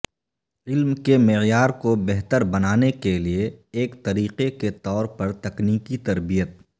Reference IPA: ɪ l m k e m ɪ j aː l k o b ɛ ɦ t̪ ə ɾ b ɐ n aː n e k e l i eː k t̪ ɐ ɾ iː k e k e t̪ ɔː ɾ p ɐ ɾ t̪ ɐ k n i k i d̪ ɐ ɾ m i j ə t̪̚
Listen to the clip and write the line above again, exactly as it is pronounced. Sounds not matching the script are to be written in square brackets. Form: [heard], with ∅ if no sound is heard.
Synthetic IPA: ɪ l m k e m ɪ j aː [ɾ] k o b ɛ ɦ t̪ ə ɾ b ɐ n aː n e k e l i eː k t̪ ɐ ɾ iː [q] e k e t̪ ɔː ɾ p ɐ ɾ t̪ ɐ k n [iː] k i [t̪] ɐ ɾ [b] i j ə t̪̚

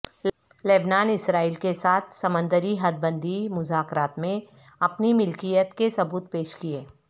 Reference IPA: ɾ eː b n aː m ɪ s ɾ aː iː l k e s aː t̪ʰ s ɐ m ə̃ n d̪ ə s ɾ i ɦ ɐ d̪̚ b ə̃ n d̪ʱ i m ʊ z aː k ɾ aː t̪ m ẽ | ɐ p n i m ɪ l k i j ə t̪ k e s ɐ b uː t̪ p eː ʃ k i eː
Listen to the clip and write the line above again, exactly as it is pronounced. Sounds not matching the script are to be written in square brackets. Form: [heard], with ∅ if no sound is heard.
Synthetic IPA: [l] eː b n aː [n] ɪ s ɾ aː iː l k e s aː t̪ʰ s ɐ m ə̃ n d̪ ə [∅] ɾ i ɦ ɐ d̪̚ b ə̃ n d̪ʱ i m ʊ z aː k ɾ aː t̪ m ẽ | ɐ p n i m ɪ l k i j ə t̪ k e s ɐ b uː t̪ p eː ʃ k i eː

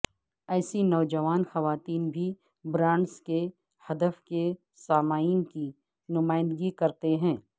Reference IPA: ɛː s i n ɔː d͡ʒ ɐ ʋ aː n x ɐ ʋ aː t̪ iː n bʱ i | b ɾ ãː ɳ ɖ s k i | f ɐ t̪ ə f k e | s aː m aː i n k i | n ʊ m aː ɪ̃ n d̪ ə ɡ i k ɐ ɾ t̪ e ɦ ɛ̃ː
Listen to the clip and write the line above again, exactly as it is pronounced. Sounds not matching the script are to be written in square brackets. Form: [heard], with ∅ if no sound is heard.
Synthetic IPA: ɛː s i n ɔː d͡ʒ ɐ ʋ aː n x ɐ ʋ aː t̪ iː n bʱ i | b ɾ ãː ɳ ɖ s k [e] | [h] ɐ [d̪] ə f k e | s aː m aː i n k i | n ʊ m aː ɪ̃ n d̪ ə ɡ i k ɐ ɾ t̪ e ɦ ɛ̃ː

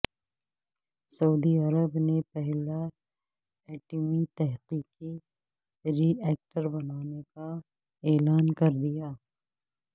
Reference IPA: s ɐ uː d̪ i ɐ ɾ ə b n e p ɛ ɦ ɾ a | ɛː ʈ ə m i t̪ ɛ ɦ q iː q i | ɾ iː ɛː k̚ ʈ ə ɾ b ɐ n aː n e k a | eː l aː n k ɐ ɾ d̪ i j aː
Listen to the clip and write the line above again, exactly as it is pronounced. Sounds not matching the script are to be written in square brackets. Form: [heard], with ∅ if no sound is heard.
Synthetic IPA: s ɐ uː d̪ i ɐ ɾ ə b n e p ɛ ɦ [l] a | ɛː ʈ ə m i t̪ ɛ ɦ q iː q i | ɾ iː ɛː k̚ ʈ ə ɾ b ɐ n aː n e k a | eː l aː n k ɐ ɾ d̪ i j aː

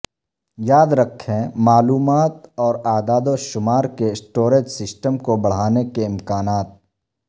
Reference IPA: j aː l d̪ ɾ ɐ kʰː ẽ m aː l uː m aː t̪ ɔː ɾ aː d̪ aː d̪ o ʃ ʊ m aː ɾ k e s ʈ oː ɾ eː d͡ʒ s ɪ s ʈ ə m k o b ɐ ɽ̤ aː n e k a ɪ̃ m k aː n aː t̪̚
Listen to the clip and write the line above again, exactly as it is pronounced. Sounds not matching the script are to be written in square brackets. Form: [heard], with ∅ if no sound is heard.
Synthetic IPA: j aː [∅] d̪ ɾ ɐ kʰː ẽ m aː l uː m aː t̪ ɔː ɾ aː d̪ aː d̪ o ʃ ʊ m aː ɾ k e s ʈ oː ɾ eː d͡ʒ s ɪ s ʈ ə m k o b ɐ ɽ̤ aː n e k [e] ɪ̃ m k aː n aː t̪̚

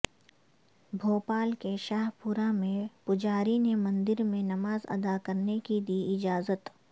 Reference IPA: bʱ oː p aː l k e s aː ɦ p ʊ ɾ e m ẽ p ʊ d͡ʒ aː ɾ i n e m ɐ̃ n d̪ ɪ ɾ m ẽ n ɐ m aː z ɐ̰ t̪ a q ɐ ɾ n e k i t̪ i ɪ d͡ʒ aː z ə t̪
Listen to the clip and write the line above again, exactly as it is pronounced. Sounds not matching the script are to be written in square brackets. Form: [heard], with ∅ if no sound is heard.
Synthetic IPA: bʱ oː p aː l k e [ʃ] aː ɦ p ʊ ɾ [a] m ẽ p ʊ d͡ʒ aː ɾ i n e m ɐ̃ n d̪ ɪ ɾ m ẽ n ɐ m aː z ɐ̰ [d̪] a [k] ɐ ɾ n e k i [d̪] i ɪ d͡ʒ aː z ə t̪

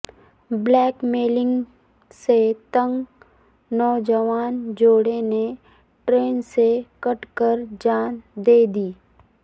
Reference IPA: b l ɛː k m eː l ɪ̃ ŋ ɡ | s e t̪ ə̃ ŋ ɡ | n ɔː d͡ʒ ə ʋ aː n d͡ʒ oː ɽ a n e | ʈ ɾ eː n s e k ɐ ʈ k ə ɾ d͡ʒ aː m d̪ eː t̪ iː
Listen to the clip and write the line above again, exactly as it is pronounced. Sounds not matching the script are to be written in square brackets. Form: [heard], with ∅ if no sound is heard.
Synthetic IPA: b l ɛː k m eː l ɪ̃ ŋ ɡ | s e t̪ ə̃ ŋ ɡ | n ɔː d͡ʒ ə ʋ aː n d͡ʒ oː ɽ [e] n e | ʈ ɾ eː n s e k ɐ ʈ k ə ɾ d͡ʒ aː [n] d̪ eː [d̪] iː

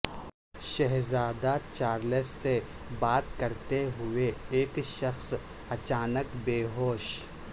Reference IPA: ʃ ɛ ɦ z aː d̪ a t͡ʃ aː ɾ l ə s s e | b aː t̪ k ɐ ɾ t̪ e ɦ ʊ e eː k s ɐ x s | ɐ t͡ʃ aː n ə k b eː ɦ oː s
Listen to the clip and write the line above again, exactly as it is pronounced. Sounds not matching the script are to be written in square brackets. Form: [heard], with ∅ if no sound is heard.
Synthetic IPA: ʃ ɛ ɦ z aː d̪ a t͡ʃ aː ɾ l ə s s e | b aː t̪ k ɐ ɾ t̪ e ɦ ʊ e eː k [ʃ] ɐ x s | ɐ t͡ʃ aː n ə k b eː ɦ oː [ʃ]

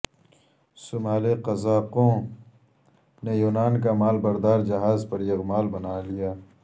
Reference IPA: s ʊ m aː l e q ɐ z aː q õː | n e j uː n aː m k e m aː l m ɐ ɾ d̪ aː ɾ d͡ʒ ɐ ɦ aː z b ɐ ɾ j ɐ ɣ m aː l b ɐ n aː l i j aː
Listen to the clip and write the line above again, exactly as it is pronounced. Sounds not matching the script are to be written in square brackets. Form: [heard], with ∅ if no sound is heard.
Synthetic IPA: s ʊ m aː l e q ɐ z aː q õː | n e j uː n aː [n] k [a] m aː l [b] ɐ ɾ d̪ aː ɾ d͡ʒ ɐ ɦ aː z [p] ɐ ɾ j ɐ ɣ m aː l b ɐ n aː l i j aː

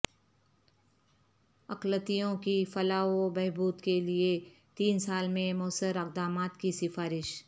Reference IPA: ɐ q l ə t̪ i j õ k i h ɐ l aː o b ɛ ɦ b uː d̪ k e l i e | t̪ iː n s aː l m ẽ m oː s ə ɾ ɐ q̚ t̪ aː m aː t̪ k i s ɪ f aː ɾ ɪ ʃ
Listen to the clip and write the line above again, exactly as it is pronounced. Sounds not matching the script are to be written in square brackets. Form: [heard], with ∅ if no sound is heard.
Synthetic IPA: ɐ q l ə t̪ i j õ k i [f] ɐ l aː o b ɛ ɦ b uː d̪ k e l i e | t̪ iː n s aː l m ẽ m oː s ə ɾ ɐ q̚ [d̪] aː m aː t̪ k i s ɪ f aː ɾ ɪ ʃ

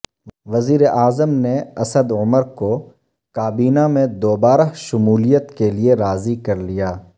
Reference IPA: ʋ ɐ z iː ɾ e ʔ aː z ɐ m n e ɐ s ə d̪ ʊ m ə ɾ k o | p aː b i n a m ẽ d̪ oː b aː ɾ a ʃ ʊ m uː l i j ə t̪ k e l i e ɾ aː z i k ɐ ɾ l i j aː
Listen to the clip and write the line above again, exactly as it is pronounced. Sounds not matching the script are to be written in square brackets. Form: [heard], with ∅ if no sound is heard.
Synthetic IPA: ʋ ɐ z iː ɾ e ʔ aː z [ə] m n e ɐ s ə d̪ ʊ m ə ɾ k o | [k] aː b [iː] n a m ẽ d̪ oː b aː ɾ a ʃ ʊ m uː l i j ə t̪ k e l i e ɾ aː z i k ɐ ɾ l i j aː

